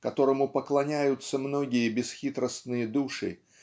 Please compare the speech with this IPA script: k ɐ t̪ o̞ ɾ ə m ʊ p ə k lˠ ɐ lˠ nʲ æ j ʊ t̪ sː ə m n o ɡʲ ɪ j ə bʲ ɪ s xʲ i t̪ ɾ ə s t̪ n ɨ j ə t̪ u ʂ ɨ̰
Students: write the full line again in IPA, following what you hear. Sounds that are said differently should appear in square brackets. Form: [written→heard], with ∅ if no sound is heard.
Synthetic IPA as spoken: k ɐ t̪ o̞ ɾ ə m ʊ p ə k lˠ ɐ [lˠ→∅] nʲ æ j ʊ t̪ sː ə m n o ɡʲ ɪ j ə bʲ ɪ s xʲ i t̪ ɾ ə s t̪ n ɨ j ə [t̪→d̪] u ʂ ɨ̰